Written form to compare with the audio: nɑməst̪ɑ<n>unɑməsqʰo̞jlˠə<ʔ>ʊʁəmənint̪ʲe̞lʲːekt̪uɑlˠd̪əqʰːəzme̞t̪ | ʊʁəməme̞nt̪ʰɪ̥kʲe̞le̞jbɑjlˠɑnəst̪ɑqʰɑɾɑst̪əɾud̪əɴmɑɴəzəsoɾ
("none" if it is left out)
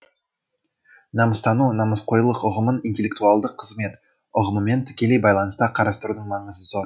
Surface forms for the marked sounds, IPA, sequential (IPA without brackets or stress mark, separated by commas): n, q